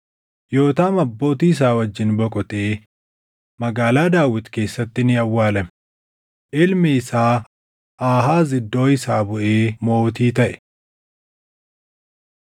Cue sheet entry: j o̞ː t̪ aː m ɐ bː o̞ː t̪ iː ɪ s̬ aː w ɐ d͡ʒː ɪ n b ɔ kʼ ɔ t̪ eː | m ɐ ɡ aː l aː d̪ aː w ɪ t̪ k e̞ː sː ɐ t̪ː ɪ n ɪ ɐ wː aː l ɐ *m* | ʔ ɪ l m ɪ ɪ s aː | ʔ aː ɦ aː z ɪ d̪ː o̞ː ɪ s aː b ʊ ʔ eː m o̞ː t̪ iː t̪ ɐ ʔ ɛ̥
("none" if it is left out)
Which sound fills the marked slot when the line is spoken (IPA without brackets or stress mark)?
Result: m